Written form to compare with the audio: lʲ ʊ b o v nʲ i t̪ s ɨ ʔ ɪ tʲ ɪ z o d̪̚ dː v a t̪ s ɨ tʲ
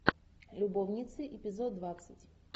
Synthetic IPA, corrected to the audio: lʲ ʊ b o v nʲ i t̪ s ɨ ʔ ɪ pʲ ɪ z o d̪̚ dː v a t̪ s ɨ tʲ